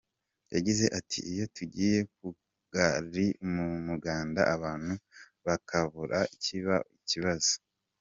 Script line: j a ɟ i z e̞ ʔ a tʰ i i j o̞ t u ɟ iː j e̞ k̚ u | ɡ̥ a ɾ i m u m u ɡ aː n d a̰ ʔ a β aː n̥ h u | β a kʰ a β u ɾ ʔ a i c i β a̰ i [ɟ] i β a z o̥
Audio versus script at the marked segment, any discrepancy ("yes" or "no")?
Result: yes